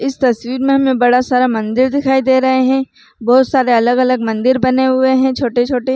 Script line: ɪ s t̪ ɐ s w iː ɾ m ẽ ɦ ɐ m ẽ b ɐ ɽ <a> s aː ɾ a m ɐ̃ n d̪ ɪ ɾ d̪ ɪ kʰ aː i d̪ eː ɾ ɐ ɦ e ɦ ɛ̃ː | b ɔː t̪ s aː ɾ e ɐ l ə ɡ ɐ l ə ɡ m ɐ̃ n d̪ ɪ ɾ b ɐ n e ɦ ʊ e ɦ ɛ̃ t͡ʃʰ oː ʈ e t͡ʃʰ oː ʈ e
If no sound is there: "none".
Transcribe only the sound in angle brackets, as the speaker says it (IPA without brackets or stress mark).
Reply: a